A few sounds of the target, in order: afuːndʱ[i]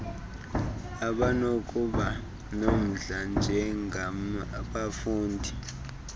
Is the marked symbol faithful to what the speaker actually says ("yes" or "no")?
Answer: yes